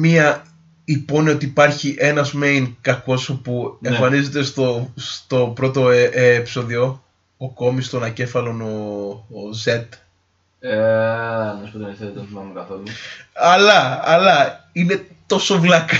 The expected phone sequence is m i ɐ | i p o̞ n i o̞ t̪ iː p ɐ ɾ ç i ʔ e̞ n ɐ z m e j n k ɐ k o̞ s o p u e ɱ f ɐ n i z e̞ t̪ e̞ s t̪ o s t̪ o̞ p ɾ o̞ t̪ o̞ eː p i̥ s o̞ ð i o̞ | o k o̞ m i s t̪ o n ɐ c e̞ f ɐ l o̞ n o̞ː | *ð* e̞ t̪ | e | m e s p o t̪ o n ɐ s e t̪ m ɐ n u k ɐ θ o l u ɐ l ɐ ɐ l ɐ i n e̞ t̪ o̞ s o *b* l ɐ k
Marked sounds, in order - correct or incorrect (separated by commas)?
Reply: incorrect, incorrect